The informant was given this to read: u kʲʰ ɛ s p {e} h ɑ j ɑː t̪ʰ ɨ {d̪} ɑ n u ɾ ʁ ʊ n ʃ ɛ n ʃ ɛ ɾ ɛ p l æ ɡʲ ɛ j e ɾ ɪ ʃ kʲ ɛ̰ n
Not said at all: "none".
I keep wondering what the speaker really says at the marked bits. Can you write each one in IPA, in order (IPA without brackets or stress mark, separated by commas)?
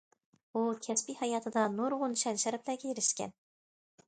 i, d̪